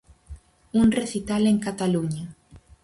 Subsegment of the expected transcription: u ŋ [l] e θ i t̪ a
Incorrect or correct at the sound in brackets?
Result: incorrect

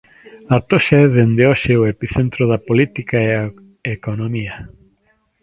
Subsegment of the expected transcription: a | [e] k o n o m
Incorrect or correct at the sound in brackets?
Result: correct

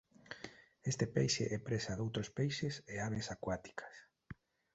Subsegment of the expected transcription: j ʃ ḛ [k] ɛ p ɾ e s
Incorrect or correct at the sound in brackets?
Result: incorrect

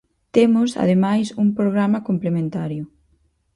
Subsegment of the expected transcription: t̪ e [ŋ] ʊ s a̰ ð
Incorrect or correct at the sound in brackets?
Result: incorrect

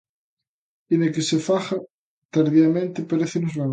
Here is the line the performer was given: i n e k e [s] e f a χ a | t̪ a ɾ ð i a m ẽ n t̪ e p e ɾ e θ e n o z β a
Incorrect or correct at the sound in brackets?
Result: correct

